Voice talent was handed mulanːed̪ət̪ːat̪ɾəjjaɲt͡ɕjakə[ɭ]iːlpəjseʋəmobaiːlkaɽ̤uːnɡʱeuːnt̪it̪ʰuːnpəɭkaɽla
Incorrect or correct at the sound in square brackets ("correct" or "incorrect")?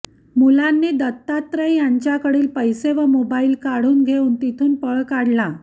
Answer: incorrect